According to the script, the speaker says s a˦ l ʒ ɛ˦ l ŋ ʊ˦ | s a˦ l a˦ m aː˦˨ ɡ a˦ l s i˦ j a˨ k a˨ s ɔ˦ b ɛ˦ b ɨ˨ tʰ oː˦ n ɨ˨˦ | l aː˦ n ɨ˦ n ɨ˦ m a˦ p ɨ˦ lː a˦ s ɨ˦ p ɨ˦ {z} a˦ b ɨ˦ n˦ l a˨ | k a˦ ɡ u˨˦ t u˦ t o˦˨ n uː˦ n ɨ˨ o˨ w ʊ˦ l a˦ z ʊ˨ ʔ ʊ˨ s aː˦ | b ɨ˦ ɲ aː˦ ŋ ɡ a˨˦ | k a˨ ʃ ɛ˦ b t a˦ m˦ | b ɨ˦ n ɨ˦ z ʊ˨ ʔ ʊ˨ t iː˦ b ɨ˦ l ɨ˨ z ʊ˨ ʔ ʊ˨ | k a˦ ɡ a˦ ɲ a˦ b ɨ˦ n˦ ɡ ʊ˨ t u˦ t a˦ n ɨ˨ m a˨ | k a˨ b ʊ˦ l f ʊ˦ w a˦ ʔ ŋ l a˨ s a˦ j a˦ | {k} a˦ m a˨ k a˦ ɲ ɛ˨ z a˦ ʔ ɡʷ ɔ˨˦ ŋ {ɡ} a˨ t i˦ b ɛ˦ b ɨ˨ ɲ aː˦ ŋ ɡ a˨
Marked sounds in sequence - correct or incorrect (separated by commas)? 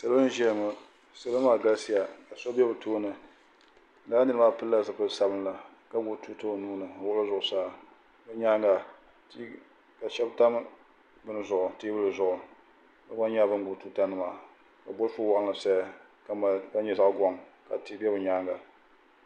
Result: incorrect, correct, incorrect